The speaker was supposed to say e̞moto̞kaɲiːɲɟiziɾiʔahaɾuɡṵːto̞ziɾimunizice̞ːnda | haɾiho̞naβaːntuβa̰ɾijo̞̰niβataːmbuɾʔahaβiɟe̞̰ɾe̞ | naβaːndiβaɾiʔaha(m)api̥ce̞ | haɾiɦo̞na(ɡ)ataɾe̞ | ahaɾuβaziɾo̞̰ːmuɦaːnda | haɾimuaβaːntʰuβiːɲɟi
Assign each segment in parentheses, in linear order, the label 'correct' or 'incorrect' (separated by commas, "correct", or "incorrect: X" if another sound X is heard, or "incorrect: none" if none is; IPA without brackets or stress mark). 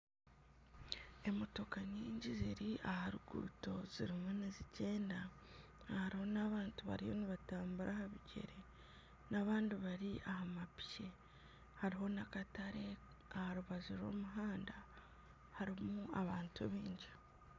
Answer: correct, incorrect: k